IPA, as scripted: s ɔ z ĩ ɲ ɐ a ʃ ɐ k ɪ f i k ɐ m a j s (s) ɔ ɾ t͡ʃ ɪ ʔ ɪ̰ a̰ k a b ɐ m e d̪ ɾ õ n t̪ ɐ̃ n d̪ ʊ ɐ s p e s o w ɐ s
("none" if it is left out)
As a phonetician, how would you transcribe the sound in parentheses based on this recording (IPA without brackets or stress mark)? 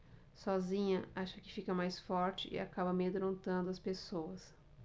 f